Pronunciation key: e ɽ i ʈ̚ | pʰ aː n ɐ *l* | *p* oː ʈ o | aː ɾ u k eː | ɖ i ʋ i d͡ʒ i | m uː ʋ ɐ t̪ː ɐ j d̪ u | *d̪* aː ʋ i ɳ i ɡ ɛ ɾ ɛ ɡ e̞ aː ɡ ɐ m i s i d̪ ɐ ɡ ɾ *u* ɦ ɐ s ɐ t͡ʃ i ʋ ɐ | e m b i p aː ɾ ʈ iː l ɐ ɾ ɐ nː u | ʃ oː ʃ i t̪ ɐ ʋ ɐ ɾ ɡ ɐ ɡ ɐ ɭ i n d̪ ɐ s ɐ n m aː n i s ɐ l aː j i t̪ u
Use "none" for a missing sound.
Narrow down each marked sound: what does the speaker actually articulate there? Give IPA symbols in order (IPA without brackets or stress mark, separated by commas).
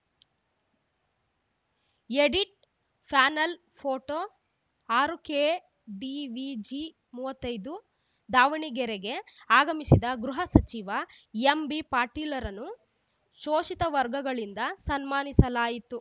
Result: l, pʰ, d̪, u